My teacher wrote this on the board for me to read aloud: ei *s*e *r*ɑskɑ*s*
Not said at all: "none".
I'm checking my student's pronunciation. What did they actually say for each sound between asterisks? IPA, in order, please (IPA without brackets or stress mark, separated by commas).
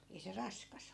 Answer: s, r, s